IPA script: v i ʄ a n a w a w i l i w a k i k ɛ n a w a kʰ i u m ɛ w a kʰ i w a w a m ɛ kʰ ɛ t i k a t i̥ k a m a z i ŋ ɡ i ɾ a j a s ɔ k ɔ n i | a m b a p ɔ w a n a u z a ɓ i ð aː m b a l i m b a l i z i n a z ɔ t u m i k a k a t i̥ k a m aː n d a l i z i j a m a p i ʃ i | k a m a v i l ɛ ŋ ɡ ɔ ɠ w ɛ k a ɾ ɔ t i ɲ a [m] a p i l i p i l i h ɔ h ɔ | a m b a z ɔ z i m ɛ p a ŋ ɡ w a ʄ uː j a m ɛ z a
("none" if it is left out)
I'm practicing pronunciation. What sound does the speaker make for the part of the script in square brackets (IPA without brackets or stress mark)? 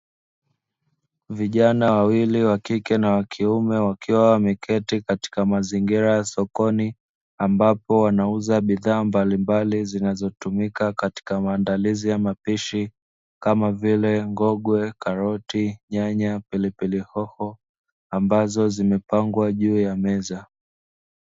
ɲ